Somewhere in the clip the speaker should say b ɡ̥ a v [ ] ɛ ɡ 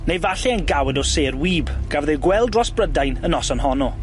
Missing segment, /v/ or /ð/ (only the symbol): ð